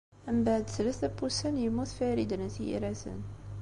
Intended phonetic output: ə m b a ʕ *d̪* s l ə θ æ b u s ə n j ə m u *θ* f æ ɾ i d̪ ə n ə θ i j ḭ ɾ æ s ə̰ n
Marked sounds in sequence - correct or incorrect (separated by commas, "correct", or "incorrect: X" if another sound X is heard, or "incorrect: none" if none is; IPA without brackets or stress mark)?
correct, correct